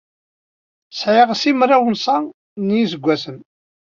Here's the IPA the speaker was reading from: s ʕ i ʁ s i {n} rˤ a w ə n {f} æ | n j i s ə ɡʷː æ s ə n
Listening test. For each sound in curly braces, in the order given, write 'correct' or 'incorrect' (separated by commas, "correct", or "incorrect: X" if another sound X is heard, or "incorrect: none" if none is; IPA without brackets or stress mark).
incorrect: m, incorrect: s